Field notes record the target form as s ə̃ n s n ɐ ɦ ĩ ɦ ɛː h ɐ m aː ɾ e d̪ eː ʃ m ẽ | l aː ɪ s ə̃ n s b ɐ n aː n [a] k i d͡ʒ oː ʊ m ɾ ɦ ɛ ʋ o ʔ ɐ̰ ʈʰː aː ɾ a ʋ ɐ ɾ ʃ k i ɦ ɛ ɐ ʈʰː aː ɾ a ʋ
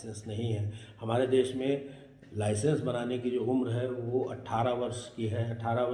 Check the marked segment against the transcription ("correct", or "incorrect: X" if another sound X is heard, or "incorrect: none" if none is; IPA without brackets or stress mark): incorrect: e